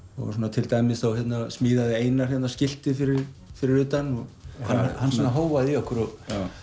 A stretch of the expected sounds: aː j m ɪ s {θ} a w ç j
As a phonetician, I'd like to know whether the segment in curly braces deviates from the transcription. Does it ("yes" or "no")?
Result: no